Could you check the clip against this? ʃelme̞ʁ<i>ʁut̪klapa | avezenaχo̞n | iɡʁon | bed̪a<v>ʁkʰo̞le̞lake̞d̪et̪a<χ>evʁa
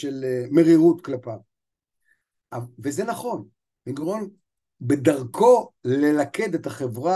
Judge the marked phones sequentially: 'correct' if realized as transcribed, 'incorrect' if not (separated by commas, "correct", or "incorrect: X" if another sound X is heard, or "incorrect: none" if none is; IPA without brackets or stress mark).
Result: correct, incorrect: none, correct